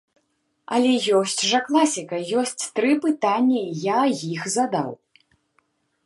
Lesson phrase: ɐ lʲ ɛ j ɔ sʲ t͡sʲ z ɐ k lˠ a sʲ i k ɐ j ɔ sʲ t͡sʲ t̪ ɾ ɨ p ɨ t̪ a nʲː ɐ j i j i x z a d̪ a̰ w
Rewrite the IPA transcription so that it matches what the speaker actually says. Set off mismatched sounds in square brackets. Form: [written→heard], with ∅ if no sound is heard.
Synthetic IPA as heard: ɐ lʲ ɛ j ɔ sʲ t͡sʲ [z→ʐ] ɐ k lˠ a sʲ i k ɐ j ɔ sʲ t͡sʲ t̪ ɾ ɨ p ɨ t̪ a nʲː ɐ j [i→a] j i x z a d̪ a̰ w